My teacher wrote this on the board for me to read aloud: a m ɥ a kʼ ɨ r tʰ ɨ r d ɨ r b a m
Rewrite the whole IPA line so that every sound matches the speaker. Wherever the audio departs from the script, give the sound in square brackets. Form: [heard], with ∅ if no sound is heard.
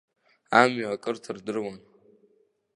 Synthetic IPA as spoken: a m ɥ a kʼ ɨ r tʰ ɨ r d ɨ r [w] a [n]